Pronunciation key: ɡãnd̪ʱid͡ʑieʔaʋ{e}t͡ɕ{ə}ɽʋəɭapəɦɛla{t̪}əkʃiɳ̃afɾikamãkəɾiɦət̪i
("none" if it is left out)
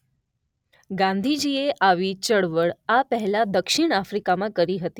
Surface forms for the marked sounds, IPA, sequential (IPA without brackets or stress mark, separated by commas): i, ə, d̪